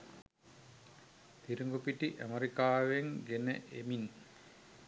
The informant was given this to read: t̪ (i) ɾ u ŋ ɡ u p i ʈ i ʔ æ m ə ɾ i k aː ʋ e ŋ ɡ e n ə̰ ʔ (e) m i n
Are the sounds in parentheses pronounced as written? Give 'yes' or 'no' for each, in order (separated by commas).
yes, yes